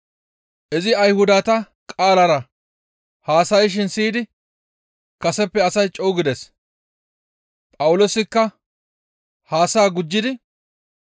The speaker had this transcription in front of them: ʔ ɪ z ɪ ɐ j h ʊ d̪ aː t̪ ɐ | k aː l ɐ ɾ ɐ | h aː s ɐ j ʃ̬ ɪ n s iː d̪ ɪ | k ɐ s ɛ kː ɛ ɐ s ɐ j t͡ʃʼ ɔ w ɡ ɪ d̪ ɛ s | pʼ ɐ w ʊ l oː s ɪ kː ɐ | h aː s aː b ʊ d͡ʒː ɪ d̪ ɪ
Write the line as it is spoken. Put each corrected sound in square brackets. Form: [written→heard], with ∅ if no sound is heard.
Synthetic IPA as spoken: ʔ ɪ z ɪ ɐ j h ʊ d̪ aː t̪ ɐ | [k→kʼ] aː l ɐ ɾ ɐ | h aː s ɐ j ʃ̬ ɪ n s iː d̪ ɪ | k ɐ s ɛ [kː→pː] ɛ ɐ s ɐ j t͡ʃʼ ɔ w ɡ ɪ d̪ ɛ s | pʼ ɐ w ʊ l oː s ɪ kː ɐ | h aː s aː [b→ɡ] ʊ d͡ʒː ɪ d̪ ɪ